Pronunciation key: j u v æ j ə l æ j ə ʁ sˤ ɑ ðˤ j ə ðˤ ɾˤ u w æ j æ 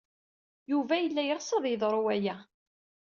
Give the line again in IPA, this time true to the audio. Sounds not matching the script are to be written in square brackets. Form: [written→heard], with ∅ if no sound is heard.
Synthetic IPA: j u v æ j ə [l→lː] æ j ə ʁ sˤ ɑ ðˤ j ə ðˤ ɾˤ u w æ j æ